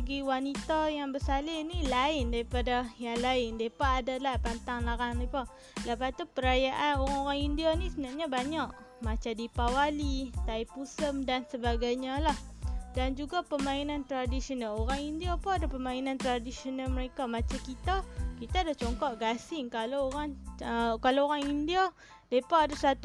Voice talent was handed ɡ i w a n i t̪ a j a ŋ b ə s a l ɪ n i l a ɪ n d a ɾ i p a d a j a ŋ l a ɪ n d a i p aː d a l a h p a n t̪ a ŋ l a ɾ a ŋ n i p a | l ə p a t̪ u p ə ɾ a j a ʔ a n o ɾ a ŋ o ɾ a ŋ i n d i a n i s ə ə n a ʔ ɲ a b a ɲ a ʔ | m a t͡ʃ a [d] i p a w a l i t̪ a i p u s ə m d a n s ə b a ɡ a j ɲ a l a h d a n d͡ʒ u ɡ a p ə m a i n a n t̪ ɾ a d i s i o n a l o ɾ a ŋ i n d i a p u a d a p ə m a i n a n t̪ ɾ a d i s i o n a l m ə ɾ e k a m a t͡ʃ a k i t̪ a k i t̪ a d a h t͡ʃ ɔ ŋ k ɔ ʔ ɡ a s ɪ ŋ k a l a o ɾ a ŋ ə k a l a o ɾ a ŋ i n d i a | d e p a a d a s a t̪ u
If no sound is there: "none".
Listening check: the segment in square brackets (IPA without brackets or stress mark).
d